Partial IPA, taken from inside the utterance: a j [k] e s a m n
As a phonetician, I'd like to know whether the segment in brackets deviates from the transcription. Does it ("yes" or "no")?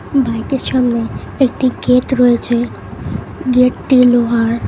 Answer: no